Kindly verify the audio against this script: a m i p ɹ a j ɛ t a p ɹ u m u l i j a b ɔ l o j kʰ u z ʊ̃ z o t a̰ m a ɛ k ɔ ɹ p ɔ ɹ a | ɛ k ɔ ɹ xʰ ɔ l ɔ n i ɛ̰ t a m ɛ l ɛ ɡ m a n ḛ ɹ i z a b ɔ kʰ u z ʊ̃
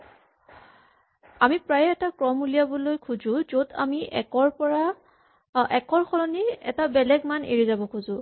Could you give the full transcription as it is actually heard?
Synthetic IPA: a m i p ɹ a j ɛ t a k ɹ ɔ m u l i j a b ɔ l o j kʰ u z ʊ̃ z o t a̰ m i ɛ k ɔ ɹ p ɔ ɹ a | ɛ k ɔ ɹ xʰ ɔ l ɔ n i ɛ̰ t a b ɛ l ɛ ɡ m a n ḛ ɹ i z a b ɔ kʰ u z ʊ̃

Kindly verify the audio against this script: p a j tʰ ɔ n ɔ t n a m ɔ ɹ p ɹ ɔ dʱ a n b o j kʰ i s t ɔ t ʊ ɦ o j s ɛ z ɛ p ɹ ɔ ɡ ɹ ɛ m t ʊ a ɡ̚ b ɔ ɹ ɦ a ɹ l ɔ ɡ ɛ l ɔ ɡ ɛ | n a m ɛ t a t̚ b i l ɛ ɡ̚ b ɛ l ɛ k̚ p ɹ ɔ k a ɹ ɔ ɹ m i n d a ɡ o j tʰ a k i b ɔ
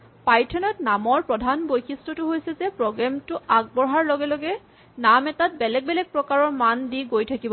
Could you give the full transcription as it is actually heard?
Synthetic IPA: p a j tʰ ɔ n ɔ t n a m ɔ ɹ p ɹ ɔ dʱ a n b o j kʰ i s t ɔ t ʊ ɦ o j s ɛ z ɛ p ɹ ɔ ɡ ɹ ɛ m t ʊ a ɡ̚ b ɔ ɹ ɦ a ɹ l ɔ ɡ ɛ l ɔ ɡ ɛ | n a m ɛ t a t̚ b ɛ l ɛ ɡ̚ b ɛ l ɛ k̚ p ɹ ɔ k a ɹ ɔ ɹ m a n d i ɡ o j tʰ a k i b ɔ

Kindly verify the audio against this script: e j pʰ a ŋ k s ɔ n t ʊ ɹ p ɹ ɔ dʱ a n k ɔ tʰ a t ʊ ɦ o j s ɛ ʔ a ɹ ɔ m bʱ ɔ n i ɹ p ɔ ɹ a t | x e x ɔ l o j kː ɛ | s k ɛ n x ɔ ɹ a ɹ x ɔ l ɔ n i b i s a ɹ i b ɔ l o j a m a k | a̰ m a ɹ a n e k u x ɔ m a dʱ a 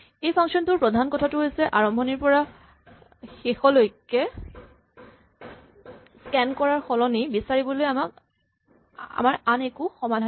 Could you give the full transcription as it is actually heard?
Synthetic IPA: e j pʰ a ŋ k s ɔ n t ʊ ɹ p ɹ ɔ dʱ a n k ɔ tʰ a t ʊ ɦ o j s ɛ ʔ a ɹ ɔ m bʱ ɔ n i ɹ p ɔ ɹ a | x e x ɔ l o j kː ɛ | s k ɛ n k ɔ ɹ a ɹ x ɔ l ɔ n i b i s a ɹ i b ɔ l o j a m a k | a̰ m a ɹ a n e k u x ɔ m a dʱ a

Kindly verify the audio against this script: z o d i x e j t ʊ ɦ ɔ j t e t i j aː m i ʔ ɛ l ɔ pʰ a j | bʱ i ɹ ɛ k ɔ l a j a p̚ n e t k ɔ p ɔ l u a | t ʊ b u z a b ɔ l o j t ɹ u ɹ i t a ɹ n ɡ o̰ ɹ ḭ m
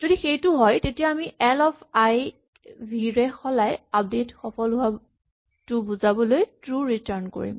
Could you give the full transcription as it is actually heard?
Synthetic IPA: z o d i x e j t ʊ ɦ ɔ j t e t i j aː m i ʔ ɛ l ɔ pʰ a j | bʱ i ɹ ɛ x ɔ l a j a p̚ d e t x ɔ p ɔ l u a | t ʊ b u z a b ɔ l o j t ɹ u ɹ i t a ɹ n k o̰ ɹ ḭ m

